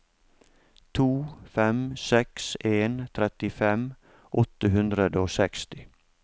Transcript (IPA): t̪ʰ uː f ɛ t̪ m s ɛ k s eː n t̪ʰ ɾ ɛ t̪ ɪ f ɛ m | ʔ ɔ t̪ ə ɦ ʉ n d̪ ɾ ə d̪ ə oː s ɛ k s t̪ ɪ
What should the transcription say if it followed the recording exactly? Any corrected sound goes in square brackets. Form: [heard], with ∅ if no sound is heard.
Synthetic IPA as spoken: t̪ʰ uː f ɛ [∅] m s ɛ k s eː n t̪ʰ ɾ ɛ t̪ ɪ f ɛ m | ʔ ɔ t̪ ə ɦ ʉ n d̪ ɾ ə d̪ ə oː s ɛ k s t̪ ɪ